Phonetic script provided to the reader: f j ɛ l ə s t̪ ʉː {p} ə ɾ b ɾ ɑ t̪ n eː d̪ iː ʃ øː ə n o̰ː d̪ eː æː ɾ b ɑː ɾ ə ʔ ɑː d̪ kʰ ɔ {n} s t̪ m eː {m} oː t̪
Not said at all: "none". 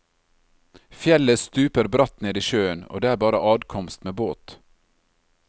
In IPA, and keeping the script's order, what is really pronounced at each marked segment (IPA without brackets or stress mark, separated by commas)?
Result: p, m, b